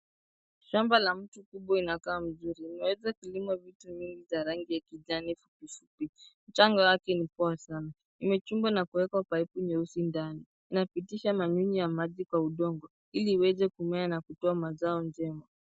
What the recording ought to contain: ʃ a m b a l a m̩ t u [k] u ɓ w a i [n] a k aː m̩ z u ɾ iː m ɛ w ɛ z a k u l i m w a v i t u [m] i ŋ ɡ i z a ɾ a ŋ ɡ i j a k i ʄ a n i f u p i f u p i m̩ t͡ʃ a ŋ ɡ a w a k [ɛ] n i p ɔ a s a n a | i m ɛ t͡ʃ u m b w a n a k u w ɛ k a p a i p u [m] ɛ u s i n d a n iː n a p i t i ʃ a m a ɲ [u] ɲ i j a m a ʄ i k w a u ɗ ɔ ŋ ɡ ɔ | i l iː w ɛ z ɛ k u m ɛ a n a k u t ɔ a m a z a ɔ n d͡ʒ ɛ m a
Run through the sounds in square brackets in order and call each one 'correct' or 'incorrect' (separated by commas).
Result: correct, correct, incorrect, correct, incorrect, correct